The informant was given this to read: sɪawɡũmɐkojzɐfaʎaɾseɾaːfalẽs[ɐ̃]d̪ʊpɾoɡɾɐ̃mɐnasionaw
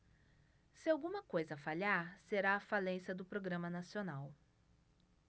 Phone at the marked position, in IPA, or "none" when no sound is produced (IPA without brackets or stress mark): ɐ